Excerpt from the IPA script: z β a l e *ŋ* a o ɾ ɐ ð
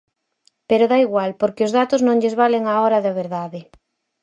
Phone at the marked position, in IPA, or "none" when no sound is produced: ŋ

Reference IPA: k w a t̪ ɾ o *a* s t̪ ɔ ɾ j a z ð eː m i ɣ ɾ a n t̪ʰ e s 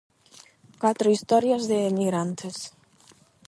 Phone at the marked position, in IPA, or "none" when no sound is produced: i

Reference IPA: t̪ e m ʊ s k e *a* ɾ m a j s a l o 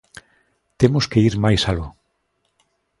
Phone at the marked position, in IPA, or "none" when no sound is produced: i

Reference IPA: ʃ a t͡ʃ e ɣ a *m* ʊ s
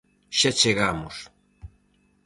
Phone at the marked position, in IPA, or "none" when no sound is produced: m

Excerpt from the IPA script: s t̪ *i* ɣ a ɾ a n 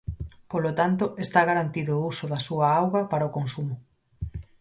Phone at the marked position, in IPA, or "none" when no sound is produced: a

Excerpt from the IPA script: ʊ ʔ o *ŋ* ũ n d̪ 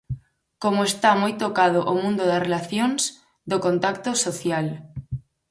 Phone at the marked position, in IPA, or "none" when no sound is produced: m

